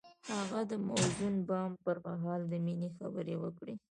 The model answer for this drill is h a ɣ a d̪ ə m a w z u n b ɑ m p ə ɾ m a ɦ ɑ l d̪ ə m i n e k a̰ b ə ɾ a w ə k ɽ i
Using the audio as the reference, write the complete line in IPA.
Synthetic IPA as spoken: h a ɣ a d̪ ə m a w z u n b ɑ m p ə ɾ m a ɦ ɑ l d̪ ə m i n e x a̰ b ə ɾ e w ə k ɽ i